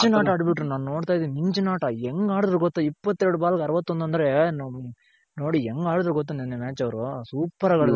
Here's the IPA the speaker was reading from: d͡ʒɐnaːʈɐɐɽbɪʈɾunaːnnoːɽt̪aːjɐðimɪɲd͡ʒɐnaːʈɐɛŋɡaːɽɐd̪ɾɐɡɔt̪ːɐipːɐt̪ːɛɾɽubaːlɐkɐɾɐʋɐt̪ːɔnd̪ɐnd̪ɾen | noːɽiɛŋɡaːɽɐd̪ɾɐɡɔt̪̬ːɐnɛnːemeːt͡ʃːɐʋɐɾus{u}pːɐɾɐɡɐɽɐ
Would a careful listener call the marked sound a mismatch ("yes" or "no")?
yes